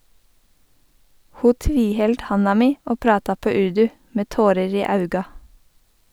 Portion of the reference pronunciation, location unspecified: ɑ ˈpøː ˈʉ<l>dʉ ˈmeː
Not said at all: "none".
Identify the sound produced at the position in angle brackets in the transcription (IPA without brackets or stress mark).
ɹ